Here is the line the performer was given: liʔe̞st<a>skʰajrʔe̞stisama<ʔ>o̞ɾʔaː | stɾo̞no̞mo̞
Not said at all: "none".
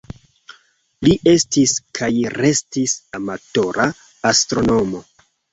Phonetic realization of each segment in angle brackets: i, t

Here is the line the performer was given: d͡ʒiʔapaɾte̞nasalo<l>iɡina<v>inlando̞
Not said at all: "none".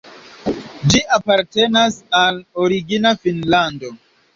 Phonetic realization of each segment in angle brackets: ɾ, f

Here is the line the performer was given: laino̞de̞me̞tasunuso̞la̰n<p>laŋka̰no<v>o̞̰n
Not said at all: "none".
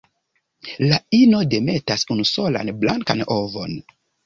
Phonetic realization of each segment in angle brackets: b, v

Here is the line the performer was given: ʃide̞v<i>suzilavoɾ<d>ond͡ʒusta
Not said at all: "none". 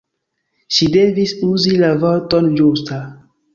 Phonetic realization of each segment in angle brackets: i, t

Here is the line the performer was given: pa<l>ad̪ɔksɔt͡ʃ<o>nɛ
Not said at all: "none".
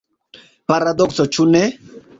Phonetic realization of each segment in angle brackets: ɾ, u

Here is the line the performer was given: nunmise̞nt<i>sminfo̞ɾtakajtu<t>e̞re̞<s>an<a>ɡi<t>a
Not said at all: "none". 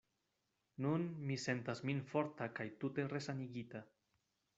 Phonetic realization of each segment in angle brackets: a, t, s, i, t

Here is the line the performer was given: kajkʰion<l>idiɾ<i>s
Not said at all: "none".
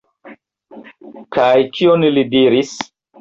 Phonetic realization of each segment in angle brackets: l, i

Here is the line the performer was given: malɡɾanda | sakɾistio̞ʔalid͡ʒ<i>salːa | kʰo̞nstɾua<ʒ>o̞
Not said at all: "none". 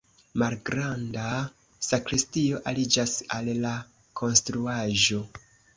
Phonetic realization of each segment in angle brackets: a, ʒ

